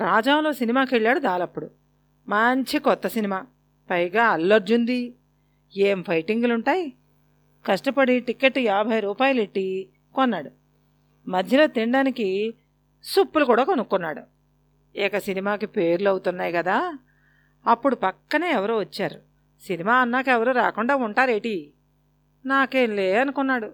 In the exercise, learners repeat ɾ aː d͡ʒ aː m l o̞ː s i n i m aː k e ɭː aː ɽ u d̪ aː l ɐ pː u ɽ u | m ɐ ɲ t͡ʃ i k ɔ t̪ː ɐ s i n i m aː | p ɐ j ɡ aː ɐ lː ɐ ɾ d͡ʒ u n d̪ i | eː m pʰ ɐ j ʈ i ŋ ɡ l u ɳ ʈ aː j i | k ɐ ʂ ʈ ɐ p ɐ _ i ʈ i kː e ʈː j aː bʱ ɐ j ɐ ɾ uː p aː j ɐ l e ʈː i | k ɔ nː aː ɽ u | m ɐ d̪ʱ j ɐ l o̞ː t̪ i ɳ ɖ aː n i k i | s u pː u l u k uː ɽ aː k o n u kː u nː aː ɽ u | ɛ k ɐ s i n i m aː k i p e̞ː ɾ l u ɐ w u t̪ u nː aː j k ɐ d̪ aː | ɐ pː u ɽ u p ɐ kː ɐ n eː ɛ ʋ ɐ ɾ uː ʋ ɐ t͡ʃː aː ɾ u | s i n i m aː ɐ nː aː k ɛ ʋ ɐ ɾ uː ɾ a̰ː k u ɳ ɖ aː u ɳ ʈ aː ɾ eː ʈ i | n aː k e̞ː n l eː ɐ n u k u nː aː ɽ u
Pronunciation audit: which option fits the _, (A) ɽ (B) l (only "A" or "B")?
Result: A